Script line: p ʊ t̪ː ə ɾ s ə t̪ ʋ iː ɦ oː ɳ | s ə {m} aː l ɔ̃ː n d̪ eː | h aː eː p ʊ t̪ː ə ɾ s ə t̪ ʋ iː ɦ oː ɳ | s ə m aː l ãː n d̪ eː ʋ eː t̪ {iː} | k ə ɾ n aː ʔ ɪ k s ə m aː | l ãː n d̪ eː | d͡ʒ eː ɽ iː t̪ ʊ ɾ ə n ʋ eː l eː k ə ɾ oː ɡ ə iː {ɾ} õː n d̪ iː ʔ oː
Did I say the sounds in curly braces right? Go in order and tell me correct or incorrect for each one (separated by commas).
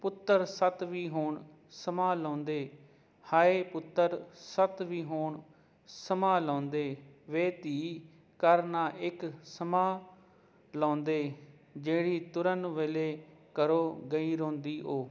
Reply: correct, correct, correct